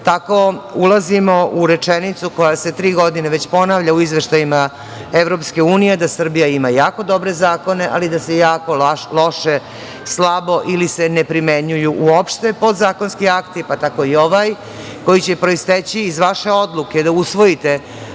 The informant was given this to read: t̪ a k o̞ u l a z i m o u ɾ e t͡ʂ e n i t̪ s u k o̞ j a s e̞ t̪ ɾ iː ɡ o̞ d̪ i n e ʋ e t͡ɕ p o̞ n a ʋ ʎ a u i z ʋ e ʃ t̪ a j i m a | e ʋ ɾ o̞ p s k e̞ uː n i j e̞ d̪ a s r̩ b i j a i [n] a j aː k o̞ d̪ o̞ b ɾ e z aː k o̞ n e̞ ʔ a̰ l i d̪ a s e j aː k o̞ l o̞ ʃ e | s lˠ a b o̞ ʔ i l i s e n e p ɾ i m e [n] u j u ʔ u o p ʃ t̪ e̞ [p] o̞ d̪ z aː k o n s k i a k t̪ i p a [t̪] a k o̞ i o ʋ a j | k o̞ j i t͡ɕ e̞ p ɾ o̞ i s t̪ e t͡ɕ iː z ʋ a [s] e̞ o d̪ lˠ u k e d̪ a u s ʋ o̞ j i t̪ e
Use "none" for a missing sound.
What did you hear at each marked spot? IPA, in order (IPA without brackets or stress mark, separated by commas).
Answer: m, ɲ, p, t̪, ʃ